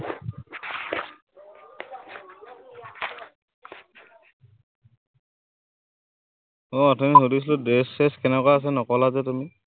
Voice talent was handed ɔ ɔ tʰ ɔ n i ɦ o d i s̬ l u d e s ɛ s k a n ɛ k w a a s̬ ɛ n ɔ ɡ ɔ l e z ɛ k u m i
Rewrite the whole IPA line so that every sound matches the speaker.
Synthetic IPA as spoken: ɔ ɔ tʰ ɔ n i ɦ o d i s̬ l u d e s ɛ s k ɛ n ɛ k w a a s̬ ɛ n ɔ k ɔ l a z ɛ t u m i